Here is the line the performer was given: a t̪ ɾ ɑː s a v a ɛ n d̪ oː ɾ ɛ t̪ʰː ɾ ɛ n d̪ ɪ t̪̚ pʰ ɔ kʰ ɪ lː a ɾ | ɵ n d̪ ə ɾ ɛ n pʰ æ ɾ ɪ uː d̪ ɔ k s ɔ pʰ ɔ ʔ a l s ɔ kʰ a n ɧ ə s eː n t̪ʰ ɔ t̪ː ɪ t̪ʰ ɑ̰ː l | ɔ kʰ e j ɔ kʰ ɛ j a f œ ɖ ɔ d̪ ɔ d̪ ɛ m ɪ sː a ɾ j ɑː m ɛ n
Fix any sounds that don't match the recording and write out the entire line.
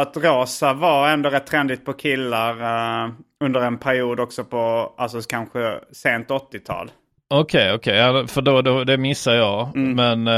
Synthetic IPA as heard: a t̪ ɾ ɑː s a v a ɛ n d̪ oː ɾ ɛ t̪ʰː ɾ ɛ n d̪ ɪ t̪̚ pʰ ɔ kʰ ɪ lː a ɾ | ɵ n d̪ ə ɾ ɛ n pʰ æ ɾ ɪ uː d̪ ɔ k s ɔ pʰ ɔ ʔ a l s ɔ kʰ a n ɧ ə s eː n t̪ ɔ t̪ː ɪ t̪ʰ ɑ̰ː l | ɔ kʰ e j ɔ kʰ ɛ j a f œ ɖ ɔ d̪ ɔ d̪ ɛ m ɪ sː a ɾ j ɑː m ɛ n